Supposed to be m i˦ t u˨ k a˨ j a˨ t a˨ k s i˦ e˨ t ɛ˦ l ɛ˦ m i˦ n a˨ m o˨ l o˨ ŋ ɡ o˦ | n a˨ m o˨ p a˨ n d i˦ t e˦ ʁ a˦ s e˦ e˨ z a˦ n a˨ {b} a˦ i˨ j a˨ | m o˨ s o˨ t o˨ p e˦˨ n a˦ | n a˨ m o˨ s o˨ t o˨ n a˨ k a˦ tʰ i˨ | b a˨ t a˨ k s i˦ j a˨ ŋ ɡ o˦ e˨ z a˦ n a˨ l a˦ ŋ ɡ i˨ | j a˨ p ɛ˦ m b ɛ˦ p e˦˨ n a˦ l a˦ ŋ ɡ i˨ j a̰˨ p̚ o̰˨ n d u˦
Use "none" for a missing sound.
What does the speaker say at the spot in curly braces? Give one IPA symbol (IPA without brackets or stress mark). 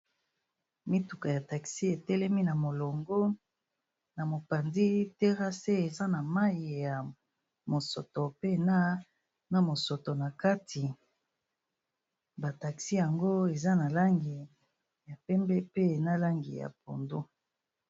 m